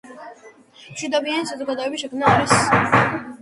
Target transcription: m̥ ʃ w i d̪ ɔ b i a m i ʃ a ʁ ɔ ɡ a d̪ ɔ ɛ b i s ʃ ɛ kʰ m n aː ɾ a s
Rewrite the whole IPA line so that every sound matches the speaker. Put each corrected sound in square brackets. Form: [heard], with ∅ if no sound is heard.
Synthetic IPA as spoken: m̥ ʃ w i d̪ ɔ b i a [n] i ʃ a [z] ɔ ɡ a d̪ ɔ ɛ b i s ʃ ɛ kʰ m n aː ɾ [i] s